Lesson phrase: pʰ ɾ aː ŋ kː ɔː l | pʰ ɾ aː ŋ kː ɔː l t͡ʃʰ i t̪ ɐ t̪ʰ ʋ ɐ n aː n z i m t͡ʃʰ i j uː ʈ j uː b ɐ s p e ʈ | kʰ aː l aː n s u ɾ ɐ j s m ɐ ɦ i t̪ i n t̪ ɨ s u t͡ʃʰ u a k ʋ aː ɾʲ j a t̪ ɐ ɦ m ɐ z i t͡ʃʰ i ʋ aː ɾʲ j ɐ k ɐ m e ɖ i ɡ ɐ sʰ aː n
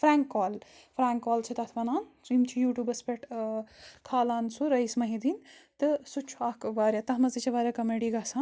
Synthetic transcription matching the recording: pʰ ɾ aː ŋ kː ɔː l | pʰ ɾ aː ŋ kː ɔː l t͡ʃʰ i t̪ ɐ t̪ʰ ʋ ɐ n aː n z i m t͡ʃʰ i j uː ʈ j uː b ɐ s p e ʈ | kʰ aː l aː n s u ɾ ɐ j s m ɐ ɦ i d̪ i n t̪ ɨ s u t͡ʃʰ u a k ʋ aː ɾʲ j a t̪ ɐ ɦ m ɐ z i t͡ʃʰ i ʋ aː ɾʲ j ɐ k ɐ m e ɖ i ɡ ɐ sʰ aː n